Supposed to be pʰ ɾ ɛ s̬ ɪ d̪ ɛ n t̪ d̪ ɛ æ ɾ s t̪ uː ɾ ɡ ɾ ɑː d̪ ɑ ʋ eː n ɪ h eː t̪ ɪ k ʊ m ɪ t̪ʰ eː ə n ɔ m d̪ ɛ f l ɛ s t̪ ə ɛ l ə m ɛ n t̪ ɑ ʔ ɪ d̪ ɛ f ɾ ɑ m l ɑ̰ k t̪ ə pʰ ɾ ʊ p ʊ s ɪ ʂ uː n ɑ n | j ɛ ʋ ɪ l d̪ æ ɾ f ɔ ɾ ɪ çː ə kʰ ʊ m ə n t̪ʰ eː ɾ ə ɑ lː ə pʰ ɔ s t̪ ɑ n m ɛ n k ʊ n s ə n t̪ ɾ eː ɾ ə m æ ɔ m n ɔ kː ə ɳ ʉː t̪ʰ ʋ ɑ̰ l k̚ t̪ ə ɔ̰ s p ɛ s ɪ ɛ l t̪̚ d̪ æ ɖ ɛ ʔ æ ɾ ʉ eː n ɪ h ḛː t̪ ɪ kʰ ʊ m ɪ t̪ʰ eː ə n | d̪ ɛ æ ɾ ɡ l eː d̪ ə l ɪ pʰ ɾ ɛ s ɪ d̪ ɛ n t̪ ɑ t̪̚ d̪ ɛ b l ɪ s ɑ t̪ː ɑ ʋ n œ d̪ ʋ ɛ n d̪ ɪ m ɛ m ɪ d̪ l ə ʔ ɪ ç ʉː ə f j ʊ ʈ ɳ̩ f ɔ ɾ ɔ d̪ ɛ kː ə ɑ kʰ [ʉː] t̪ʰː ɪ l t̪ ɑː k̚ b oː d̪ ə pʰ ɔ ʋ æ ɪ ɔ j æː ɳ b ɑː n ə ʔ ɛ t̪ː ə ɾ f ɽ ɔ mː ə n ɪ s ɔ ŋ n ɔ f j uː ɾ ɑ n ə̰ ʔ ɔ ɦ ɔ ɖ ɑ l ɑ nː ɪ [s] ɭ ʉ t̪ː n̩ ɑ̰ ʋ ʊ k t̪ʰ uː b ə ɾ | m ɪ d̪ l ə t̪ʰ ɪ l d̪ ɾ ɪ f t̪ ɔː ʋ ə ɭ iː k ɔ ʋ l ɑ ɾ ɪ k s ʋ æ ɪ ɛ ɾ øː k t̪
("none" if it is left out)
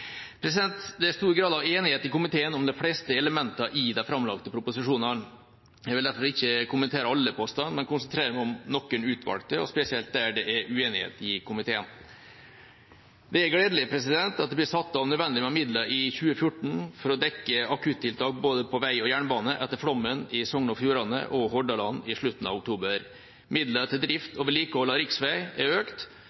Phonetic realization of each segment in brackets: ʉ, ʂ

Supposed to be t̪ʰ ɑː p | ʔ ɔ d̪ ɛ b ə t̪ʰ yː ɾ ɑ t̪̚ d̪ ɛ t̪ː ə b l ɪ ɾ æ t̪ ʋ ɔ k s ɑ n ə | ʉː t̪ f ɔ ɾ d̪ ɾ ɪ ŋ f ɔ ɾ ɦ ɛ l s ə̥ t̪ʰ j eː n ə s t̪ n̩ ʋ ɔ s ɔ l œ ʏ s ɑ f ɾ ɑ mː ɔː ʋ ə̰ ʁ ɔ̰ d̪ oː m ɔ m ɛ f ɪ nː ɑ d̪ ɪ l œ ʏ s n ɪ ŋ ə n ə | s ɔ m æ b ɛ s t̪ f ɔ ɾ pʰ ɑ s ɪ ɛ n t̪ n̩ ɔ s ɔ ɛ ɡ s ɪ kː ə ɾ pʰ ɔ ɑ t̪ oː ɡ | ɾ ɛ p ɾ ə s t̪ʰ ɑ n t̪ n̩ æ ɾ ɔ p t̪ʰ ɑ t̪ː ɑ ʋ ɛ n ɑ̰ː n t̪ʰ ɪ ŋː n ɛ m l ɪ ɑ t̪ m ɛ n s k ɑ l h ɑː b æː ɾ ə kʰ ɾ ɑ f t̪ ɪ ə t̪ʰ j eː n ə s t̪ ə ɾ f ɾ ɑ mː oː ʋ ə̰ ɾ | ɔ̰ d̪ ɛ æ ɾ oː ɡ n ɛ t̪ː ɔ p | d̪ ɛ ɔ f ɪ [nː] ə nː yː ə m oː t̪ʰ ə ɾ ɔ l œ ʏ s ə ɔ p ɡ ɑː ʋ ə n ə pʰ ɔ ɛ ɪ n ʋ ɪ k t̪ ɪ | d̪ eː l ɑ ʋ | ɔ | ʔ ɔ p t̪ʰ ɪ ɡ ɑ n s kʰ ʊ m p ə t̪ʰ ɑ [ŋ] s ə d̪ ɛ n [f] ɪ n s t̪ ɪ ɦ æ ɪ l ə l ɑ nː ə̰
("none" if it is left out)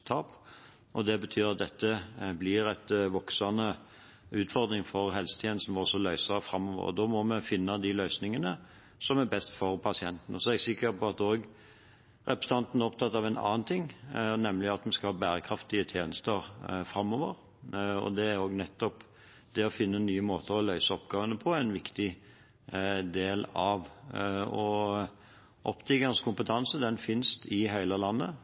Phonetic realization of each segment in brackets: nː, n, f

